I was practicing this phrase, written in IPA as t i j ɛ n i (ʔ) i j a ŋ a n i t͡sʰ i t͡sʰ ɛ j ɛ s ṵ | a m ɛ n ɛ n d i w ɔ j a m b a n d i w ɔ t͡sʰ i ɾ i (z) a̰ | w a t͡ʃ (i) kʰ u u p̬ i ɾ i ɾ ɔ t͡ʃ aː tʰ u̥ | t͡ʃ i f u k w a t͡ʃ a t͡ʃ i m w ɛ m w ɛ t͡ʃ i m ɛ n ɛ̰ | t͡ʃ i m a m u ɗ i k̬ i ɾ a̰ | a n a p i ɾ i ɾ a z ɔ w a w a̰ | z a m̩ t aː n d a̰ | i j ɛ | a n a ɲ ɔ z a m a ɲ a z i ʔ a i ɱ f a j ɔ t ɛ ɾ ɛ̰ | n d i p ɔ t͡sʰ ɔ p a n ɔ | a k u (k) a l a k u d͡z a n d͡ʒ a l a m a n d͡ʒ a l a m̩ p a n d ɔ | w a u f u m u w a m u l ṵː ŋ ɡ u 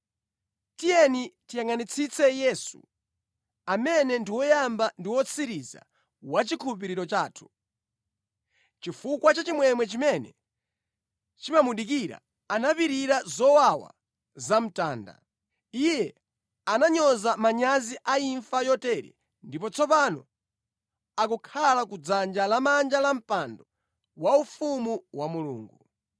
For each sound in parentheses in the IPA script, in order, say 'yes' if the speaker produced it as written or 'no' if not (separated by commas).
no, yes, yes, no